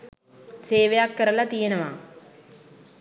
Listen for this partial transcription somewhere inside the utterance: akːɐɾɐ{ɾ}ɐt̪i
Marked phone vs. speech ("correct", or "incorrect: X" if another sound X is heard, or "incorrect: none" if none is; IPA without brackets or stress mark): incorrect: l